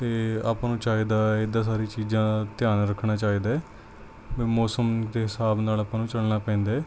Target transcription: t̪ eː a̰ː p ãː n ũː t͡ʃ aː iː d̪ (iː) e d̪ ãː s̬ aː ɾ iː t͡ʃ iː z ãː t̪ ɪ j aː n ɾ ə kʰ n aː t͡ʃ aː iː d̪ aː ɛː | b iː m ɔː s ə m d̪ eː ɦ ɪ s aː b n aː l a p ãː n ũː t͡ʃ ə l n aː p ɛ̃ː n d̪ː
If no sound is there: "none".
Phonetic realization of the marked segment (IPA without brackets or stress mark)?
aː